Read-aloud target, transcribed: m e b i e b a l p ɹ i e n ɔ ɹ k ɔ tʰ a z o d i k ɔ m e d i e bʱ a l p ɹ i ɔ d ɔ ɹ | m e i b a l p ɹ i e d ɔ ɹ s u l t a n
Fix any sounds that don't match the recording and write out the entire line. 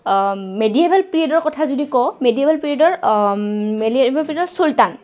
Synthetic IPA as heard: m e d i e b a l p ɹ i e d ɔ ɹ k ɔ tʰ a z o d i k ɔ m e d i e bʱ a l p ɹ i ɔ d ɔ ɹ | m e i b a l p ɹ i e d ɔ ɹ s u l t a n